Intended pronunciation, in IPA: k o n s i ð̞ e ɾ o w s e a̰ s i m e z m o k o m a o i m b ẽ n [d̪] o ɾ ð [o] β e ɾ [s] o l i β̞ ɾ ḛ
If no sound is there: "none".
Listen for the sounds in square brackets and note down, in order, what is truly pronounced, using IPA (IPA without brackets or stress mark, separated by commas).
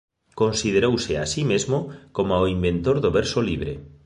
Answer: t̪, o, s